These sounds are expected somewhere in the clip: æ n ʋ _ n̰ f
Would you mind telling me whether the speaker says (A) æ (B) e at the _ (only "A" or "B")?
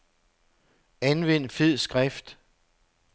B